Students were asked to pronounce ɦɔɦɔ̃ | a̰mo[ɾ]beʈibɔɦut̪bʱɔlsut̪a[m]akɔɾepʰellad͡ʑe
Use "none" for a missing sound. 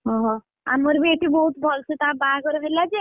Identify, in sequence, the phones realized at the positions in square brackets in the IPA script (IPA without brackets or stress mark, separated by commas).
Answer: ɾ, b